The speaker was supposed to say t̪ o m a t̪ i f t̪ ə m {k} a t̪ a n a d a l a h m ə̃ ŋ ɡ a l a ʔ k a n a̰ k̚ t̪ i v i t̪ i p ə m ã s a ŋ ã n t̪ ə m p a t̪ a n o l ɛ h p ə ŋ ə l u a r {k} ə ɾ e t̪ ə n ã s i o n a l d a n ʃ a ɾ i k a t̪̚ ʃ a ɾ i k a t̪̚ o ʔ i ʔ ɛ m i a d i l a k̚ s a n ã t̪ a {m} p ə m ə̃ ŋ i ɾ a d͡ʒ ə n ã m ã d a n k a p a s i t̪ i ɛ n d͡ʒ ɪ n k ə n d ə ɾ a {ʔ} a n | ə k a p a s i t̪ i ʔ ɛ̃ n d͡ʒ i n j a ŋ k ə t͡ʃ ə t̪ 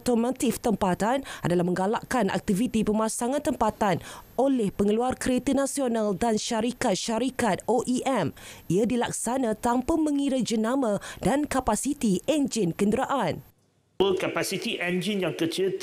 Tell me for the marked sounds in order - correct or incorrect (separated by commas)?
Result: incorrect, correct, correct, correct